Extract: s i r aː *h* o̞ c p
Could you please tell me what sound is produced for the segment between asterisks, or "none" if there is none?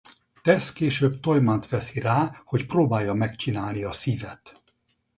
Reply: h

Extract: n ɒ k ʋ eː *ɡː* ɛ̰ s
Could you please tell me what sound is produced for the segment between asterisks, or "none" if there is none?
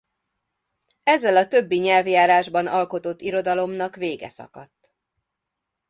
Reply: ɡ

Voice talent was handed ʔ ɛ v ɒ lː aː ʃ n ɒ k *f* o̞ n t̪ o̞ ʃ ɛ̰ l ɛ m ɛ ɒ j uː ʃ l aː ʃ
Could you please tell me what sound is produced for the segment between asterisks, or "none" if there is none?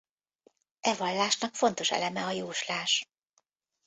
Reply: f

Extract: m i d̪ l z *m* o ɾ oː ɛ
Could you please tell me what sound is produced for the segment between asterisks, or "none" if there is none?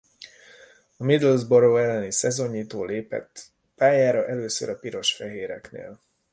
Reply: b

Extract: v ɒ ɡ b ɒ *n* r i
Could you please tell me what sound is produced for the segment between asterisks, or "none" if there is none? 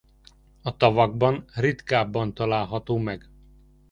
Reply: n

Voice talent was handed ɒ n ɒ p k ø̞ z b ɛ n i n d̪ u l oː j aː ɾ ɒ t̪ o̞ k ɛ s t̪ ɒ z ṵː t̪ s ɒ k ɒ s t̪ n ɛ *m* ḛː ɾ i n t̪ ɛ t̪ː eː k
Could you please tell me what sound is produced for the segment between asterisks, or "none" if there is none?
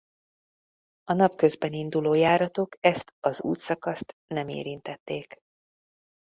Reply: m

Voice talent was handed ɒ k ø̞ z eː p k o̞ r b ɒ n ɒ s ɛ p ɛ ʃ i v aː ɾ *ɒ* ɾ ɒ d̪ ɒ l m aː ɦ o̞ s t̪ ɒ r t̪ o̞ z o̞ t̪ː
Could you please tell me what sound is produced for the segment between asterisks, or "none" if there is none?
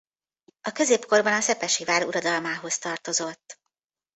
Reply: u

